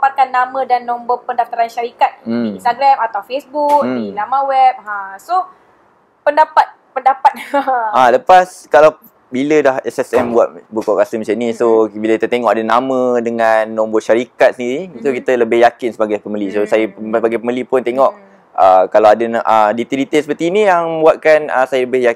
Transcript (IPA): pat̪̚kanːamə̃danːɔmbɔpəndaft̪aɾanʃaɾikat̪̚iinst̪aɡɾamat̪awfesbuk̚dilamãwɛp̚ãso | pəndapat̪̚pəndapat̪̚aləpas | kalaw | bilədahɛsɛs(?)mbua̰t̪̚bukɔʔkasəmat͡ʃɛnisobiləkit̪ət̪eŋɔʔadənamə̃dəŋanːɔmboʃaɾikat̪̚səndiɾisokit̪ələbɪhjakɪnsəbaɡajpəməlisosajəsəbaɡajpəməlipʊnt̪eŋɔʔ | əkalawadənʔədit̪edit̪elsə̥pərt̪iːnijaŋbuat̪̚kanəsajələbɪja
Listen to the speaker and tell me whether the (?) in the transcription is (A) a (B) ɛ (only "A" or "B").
B